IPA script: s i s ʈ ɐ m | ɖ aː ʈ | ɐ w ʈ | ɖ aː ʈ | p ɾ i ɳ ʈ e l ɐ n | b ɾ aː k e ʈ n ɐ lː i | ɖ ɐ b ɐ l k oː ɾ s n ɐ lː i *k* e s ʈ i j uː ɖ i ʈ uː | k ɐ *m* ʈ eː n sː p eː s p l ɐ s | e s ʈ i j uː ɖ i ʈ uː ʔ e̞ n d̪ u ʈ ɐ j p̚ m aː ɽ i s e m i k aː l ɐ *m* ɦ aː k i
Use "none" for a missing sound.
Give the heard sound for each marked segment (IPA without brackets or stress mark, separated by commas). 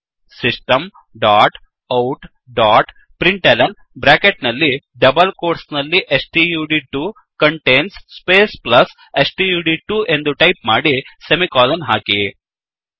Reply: ʔ, ɳ, n